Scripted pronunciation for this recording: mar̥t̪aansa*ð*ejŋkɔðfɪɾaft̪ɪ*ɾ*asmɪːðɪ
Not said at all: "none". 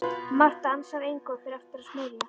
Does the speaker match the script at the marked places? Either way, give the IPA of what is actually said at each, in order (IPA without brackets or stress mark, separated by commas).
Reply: ð, ɾ